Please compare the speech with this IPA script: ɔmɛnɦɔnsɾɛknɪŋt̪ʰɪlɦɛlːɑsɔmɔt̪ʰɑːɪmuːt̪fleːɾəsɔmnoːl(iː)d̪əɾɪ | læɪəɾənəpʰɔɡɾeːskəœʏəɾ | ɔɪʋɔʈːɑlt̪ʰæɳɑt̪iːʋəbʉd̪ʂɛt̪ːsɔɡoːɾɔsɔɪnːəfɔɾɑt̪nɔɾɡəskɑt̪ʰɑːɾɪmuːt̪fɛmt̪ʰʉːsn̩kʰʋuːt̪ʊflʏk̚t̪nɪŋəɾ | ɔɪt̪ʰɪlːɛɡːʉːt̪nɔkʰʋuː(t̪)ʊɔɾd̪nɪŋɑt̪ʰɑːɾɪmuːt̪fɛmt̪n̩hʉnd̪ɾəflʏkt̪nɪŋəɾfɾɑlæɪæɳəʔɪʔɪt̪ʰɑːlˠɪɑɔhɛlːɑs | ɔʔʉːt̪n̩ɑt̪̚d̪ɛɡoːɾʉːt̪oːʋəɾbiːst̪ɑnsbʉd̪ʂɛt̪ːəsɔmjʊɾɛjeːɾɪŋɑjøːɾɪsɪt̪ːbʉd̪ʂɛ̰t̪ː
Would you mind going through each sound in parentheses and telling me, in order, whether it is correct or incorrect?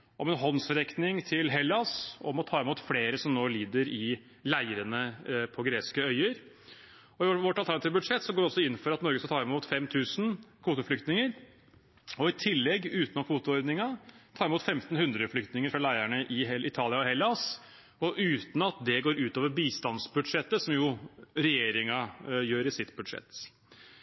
correct, correct

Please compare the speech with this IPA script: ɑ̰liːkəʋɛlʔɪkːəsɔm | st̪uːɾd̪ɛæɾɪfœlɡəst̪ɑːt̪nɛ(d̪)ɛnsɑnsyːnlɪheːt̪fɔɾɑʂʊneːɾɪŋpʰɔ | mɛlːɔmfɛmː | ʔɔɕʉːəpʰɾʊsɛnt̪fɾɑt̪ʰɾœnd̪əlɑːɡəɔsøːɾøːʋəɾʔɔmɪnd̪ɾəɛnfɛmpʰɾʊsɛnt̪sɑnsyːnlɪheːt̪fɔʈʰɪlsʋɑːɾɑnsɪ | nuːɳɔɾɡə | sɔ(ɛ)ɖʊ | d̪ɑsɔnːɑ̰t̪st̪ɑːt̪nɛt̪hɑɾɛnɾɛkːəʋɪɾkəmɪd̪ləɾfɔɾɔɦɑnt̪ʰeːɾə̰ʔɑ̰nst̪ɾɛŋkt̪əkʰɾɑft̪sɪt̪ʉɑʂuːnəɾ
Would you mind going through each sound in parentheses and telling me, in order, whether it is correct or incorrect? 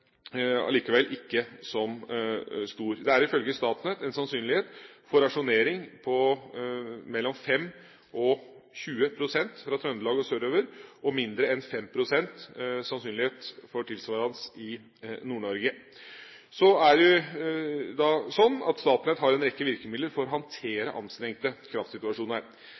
incorrect, incorrect

